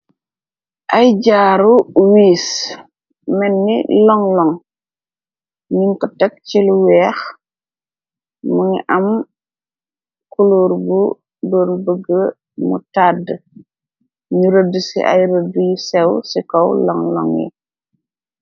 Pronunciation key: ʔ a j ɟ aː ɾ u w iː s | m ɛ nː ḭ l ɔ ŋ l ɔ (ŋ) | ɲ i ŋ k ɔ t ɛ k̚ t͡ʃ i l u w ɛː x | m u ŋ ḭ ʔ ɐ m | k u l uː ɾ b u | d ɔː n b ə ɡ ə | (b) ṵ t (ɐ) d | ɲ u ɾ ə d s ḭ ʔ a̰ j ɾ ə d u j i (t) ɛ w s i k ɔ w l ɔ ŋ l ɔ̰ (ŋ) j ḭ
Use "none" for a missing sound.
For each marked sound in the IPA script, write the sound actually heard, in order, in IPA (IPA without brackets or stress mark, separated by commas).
ŋ, m, a, s, ŋ